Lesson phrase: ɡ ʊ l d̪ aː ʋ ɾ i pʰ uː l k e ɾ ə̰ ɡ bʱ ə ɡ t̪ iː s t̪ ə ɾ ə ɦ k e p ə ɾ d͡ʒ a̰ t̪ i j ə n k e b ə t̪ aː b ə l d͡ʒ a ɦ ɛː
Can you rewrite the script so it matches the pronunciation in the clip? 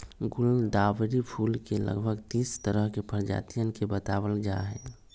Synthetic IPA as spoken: ɡ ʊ l d̪ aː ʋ ɾ i pʰ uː l k e l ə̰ ɡ bʱ ə ɡ t̪ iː s t̪ ə ɾ ə ɦ k e p ə ɾ d͡ʒ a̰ t̪ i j ə n k e b ə t̪ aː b ə l d͡ʒ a ɦ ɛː